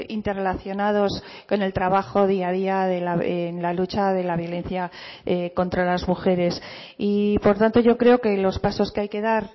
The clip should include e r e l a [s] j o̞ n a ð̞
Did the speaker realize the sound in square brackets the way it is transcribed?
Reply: no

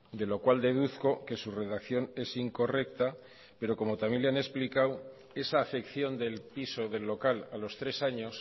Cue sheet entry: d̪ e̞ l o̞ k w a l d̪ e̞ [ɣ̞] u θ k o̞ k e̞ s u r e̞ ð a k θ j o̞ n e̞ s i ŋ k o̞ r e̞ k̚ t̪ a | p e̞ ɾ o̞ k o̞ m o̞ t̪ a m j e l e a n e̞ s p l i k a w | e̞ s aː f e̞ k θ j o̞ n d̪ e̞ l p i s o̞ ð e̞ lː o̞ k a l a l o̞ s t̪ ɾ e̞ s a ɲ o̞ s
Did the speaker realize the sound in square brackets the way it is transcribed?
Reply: no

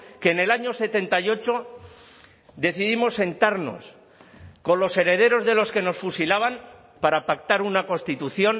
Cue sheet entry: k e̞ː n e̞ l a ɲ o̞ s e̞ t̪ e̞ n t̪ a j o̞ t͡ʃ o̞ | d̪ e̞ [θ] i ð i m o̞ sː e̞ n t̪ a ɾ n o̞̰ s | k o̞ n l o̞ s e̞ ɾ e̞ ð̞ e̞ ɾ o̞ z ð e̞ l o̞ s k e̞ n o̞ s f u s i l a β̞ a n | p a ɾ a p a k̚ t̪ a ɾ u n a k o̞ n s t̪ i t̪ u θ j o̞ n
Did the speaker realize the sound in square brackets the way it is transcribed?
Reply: yes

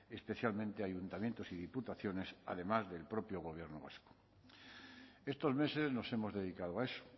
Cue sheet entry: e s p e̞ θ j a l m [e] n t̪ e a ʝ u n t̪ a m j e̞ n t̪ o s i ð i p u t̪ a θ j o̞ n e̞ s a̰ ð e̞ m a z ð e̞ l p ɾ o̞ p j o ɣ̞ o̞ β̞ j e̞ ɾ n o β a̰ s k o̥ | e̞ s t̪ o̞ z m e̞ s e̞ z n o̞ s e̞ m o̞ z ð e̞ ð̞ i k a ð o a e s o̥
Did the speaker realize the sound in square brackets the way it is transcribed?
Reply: no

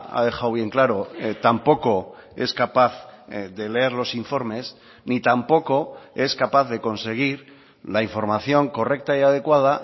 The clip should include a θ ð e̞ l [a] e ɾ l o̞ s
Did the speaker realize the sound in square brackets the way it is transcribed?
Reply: no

